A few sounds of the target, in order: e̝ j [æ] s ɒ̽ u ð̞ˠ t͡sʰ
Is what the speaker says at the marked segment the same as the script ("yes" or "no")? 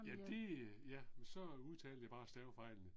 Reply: yes